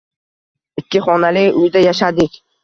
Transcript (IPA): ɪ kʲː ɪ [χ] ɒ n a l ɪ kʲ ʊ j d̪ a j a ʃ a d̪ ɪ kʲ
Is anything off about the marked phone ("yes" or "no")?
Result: no